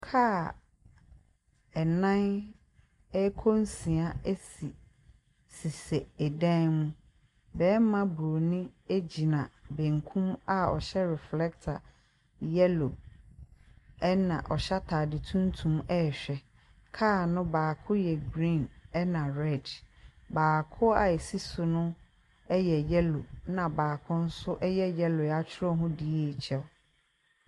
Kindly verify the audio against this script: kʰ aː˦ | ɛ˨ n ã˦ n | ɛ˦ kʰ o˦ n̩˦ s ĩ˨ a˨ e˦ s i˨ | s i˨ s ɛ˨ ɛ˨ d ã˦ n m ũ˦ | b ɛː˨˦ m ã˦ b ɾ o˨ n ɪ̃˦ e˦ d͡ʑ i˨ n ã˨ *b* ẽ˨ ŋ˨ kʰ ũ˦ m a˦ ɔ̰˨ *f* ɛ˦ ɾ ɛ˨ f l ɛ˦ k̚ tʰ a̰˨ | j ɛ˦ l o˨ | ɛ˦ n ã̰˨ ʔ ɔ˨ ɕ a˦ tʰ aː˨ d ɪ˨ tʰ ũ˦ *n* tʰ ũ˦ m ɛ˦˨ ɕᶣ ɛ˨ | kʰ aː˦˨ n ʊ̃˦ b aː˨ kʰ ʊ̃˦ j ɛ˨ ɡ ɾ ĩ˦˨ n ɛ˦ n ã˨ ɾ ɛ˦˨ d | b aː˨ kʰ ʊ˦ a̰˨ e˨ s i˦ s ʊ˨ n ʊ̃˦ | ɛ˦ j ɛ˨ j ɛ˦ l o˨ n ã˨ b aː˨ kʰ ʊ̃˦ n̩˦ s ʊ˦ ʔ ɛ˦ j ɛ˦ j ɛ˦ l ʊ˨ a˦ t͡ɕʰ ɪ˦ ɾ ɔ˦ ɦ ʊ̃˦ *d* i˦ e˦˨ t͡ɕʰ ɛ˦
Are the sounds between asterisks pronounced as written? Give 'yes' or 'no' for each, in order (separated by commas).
yes, no, yes, yes